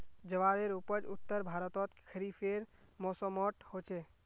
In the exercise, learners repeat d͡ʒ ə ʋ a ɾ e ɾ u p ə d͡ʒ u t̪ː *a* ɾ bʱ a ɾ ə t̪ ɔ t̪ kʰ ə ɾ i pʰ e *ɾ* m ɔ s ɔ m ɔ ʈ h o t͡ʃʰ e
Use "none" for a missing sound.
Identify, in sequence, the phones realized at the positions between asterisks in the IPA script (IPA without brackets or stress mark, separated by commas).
ə, ɾ